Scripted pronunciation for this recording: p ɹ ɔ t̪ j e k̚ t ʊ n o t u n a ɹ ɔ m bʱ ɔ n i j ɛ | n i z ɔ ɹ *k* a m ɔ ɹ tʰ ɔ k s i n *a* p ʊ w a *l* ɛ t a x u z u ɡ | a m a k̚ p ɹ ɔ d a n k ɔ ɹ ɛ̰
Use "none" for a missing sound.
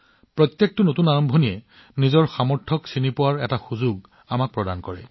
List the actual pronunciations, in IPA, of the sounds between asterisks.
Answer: x, i, ɹ

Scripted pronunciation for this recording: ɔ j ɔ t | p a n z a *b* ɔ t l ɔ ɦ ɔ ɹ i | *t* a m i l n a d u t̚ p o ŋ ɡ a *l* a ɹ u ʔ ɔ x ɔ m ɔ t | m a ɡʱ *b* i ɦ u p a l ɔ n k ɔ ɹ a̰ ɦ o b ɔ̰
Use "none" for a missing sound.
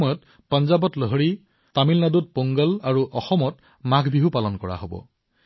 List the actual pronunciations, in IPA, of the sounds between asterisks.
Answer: b, t, l, b

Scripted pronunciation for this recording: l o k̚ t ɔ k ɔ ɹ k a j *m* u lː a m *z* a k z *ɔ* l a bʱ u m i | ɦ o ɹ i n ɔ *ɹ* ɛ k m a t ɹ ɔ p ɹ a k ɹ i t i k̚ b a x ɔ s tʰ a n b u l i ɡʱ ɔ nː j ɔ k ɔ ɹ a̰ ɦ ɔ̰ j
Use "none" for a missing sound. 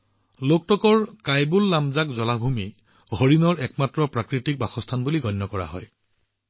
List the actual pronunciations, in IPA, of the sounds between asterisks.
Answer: b, z, ɔ, ɹ

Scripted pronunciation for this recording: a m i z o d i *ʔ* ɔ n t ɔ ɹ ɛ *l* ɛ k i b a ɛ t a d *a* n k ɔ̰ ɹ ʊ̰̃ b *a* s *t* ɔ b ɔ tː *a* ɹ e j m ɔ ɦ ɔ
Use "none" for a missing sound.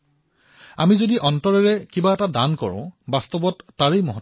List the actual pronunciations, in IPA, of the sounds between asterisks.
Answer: ʔ, ɹ, a, a, t, a

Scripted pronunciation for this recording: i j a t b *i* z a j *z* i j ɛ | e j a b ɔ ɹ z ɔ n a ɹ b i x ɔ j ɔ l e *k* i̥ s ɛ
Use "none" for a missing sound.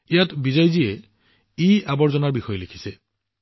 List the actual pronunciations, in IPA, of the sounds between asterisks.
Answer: i, z, kʰ

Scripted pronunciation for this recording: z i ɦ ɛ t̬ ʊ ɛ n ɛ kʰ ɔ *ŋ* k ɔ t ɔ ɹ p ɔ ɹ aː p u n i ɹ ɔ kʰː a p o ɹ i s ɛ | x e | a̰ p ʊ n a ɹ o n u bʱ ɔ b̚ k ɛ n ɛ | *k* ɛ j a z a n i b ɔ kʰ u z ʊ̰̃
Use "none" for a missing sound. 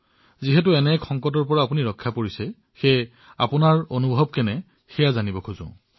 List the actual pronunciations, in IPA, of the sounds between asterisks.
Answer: ŋ, x

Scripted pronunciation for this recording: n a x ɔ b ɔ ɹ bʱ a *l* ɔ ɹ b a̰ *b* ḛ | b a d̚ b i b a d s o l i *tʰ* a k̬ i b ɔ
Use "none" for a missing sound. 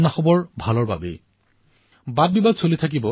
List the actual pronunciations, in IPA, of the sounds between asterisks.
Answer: l, b, tʰ

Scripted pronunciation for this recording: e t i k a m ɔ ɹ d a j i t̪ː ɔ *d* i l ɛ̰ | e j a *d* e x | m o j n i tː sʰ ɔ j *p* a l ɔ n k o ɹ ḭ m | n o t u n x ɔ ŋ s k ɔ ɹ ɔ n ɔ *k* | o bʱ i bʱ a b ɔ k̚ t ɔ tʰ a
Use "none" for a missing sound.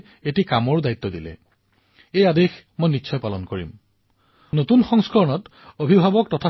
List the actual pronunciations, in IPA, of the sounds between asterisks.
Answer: d, d, p, t

